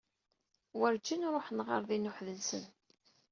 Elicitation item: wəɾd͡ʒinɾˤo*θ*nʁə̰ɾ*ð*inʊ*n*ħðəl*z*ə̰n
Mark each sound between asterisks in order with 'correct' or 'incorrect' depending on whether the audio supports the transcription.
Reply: incorrect, correct, incorrect, incorrect

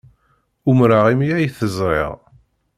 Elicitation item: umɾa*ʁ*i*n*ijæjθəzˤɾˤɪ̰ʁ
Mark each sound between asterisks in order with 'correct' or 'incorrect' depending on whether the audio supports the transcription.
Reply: correct, incorrect

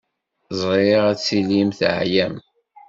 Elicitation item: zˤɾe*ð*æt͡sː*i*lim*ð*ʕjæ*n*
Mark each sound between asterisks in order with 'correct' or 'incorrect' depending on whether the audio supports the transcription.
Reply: incorrect, correct, incorrect, incorrect

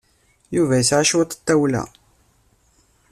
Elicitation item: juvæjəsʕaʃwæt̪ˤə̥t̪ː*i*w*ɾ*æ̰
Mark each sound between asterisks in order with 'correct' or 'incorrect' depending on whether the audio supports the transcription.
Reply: incorrect, incorrect

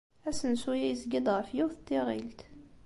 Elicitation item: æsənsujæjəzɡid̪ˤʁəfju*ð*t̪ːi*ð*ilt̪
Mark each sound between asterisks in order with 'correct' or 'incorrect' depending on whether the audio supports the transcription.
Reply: incorrect, incorrect

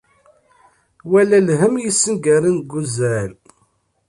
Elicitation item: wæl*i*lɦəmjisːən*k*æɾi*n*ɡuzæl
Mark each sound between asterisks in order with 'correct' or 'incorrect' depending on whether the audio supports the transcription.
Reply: incorrect, incorrect, correct

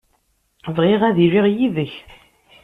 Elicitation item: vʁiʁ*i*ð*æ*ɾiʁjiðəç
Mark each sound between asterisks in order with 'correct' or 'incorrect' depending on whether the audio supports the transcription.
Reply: incorrect, incorrect

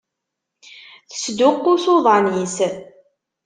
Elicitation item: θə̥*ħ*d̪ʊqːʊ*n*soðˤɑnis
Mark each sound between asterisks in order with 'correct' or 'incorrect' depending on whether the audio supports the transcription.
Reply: incorrect, incorrect

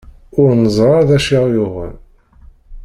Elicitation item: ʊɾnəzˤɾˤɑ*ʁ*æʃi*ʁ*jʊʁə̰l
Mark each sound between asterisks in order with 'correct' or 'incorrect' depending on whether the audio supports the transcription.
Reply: incorrect, correct

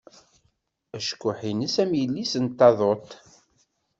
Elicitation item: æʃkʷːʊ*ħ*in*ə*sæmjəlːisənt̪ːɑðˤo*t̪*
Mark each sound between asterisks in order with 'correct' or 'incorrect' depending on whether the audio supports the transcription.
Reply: correct, correct, correct

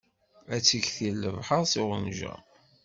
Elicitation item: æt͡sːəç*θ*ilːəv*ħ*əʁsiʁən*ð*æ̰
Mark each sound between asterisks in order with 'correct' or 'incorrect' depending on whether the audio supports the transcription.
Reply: correct, correct, incorrect

